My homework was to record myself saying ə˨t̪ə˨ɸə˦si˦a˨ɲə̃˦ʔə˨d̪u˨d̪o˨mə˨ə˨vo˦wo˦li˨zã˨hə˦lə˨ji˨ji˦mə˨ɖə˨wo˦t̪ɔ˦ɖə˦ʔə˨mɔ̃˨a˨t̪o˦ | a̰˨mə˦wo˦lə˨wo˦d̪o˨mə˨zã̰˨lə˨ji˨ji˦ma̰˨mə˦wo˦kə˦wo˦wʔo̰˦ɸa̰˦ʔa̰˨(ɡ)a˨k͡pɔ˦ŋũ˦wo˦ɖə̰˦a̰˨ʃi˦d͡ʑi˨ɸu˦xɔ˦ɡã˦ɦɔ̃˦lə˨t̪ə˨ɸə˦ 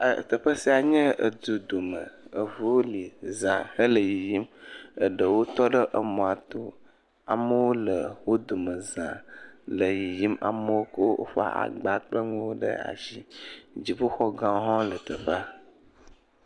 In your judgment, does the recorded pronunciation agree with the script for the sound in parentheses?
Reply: no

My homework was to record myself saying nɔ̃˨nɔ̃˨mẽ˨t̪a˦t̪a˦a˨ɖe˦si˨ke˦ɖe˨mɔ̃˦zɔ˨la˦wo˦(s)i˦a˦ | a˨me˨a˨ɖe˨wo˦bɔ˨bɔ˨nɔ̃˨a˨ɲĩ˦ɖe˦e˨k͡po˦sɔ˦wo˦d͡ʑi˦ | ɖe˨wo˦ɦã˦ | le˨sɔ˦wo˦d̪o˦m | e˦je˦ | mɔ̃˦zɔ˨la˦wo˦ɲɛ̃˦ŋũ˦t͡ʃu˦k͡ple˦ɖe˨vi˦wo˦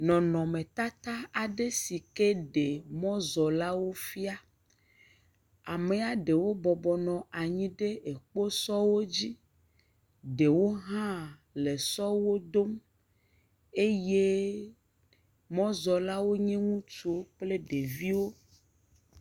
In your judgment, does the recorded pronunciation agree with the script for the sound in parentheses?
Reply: no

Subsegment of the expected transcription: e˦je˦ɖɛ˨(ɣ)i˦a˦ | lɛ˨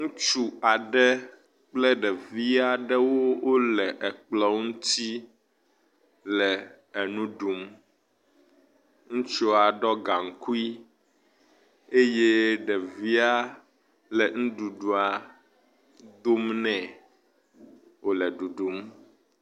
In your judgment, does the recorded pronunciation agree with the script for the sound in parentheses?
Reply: no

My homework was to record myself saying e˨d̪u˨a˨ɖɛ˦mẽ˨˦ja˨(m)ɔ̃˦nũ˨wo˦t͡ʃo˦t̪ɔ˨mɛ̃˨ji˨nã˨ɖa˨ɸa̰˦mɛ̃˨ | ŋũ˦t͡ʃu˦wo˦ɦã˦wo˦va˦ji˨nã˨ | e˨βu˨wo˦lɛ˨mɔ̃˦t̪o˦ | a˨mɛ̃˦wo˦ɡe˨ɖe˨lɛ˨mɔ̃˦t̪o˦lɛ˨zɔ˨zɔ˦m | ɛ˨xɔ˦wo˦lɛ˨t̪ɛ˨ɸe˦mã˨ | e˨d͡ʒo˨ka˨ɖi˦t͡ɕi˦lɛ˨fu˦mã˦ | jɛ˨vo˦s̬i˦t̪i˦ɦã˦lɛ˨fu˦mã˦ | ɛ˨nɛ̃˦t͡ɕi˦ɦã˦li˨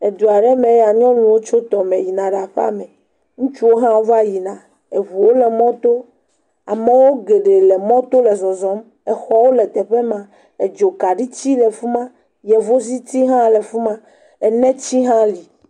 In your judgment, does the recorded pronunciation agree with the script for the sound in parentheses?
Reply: no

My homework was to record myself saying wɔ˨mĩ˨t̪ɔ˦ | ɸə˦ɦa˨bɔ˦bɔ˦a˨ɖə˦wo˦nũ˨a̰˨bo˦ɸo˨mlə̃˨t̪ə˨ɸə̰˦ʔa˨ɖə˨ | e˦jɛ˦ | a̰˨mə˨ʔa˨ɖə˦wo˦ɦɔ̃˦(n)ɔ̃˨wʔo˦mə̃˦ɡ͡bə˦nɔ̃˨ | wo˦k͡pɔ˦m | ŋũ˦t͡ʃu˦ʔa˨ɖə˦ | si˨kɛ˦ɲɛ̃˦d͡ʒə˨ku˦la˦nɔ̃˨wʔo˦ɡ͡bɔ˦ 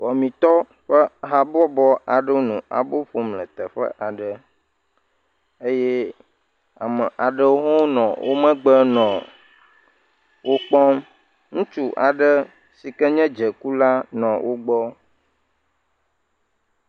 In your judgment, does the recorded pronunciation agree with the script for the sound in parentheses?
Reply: yes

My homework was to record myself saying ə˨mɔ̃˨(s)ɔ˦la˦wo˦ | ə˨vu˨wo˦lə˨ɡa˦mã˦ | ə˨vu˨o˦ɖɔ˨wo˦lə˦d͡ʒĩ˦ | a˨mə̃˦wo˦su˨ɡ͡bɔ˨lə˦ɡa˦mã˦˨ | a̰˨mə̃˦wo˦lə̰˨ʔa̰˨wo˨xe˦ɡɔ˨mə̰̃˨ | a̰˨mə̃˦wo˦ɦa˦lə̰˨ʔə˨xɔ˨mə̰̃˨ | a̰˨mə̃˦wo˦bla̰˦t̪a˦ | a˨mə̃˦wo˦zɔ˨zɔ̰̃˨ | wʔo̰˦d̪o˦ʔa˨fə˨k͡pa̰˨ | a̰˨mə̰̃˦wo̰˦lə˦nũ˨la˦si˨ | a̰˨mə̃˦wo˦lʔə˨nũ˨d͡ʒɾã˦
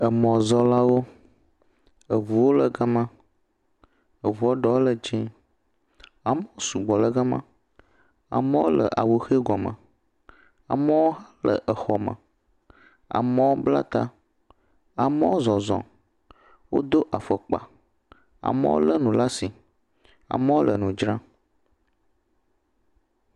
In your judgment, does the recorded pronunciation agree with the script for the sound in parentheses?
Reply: no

